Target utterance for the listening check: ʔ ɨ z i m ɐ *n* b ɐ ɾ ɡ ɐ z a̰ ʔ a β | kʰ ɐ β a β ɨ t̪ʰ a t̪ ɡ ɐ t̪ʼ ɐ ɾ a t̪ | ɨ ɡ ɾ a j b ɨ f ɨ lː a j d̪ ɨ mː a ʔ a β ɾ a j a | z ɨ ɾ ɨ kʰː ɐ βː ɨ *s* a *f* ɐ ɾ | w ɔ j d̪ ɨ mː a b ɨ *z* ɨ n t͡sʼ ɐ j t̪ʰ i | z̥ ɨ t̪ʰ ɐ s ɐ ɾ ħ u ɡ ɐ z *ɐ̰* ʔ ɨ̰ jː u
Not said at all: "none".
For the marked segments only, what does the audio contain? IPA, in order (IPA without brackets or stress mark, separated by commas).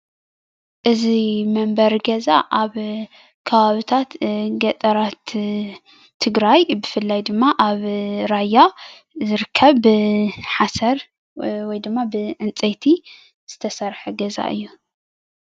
m, ħ, s, ʕ, a̰